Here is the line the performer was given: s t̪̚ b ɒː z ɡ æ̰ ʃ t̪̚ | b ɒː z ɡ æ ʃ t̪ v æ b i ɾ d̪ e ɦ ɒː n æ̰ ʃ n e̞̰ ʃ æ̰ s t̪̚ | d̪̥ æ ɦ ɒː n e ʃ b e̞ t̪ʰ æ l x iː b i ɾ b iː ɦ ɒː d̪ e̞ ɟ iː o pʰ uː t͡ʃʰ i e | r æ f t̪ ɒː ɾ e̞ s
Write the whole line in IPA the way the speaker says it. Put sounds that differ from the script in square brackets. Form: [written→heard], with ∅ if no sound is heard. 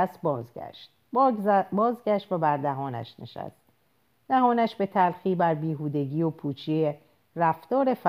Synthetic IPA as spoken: s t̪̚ b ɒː z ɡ æ̰ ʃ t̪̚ | b ɒː z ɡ æ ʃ t̪ v æ b [i→æ] ɾ d̪ [e→æ] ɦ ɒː n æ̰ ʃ n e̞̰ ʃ æ̰ s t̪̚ | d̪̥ æ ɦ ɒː n [e→æ] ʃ b e̞ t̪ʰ æ l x iː b [i→æ] ɾ b iː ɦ [ɒː→uː] d̪ e̞ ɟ iː o pʰ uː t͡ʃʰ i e | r æ f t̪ ɒː ɾ e̞ [s→f]